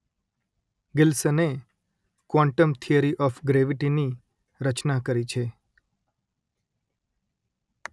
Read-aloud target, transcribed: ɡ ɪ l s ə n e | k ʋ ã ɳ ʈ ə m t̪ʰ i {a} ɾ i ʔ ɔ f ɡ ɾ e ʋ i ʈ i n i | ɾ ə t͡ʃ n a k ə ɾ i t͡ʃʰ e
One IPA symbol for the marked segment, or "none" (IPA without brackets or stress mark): ə